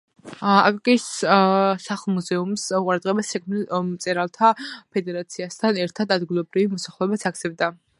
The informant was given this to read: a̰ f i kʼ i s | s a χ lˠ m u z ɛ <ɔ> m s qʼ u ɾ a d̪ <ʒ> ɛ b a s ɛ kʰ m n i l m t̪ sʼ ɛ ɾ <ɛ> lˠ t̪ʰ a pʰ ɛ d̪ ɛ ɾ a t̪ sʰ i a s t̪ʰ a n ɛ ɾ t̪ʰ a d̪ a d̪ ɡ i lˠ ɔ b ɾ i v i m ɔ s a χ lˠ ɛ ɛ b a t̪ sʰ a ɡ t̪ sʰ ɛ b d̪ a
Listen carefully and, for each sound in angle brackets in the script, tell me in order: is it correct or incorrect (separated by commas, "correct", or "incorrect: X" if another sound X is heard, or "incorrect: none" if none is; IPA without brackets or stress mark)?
incorrect: u, incorrect: ʁ, incorrect: a